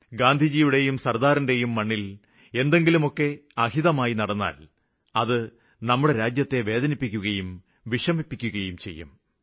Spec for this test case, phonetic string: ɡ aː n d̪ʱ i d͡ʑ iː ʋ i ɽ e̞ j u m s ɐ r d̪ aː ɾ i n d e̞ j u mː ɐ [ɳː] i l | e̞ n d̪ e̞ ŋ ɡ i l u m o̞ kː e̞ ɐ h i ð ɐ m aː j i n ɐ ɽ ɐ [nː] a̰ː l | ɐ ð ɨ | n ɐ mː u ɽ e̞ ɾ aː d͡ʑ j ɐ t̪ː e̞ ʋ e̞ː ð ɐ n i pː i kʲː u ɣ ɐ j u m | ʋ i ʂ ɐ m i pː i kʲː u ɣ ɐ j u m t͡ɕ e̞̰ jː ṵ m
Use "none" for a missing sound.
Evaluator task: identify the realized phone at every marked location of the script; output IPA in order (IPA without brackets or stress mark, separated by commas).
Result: ɳː, nː